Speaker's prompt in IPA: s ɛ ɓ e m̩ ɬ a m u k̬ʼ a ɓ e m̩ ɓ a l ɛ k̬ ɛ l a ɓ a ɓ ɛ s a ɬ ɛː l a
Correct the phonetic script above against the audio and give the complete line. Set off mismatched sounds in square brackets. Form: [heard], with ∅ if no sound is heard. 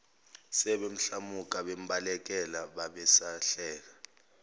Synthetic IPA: s ɛ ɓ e m̩ ɬ a m u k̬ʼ a ɓ e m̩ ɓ a l ɛ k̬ ɛ l a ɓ a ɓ ɛ s a ɬ ɛː l a